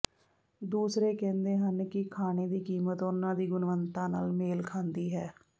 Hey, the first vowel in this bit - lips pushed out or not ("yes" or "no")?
yes